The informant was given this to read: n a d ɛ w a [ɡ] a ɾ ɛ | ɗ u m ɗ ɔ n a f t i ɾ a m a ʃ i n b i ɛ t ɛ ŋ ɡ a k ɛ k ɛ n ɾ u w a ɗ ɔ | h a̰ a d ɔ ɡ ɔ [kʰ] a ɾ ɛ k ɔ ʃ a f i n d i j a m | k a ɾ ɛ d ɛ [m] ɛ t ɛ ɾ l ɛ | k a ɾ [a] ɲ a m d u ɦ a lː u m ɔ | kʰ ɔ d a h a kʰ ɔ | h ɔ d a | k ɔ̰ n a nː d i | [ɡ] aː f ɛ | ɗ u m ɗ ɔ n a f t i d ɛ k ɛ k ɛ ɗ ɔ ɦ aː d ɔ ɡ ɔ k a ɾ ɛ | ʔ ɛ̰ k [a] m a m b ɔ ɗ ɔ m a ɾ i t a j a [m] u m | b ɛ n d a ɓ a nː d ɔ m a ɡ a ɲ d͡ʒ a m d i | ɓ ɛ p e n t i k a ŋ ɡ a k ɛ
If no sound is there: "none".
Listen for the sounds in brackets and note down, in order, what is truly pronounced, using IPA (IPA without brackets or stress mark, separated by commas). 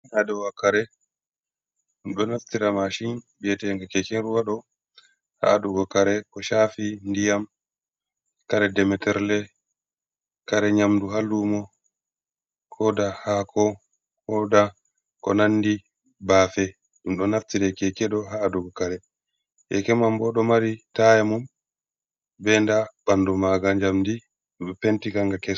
k, k, m, ɛ, b, ɛ, m